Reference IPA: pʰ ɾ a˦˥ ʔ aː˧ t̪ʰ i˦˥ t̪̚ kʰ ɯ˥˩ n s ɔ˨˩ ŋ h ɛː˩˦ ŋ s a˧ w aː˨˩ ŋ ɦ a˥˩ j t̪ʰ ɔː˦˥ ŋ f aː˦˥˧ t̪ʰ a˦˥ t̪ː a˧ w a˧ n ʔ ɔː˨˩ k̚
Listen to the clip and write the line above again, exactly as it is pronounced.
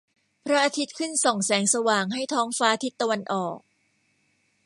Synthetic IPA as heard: pʰ ɾ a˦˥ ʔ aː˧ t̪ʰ i˦˥ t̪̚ kʰ ɯ˥˩ n s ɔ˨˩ ŋ s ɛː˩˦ ŋ s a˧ w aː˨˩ ŋ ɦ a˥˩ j t̪ʰ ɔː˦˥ ŋ f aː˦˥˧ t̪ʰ i˦˥ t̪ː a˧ w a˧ n ʔ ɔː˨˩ k̚